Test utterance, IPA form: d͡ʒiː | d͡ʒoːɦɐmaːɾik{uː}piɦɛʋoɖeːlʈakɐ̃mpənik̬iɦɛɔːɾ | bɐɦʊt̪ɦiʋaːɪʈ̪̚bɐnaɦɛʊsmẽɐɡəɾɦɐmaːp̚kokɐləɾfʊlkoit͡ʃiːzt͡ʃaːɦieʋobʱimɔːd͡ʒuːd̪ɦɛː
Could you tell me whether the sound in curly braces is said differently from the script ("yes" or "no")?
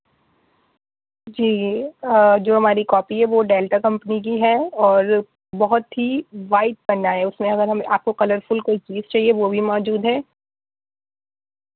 yes